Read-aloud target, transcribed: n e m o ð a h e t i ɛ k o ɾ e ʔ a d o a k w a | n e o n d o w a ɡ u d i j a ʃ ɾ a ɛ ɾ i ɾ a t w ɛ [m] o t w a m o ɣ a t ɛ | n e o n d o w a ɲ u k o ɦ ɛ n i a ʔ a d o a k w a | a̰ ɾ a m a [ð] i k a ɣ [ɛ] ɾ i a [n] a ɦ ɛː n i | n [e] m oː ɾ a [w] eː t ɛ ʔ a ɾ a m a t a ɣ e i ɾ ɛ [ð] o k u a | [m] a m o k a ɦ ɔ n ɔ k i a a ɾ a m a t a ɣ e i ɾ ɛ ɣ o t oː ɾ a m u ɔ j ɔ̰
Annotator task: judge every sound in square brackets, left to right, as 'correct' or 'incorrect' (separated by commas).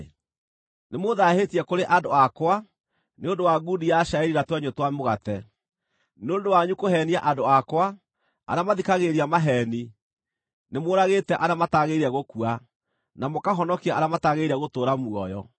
incorrect, correct, incorrect, incorrect, correct, incorrect, incorrect, incorrect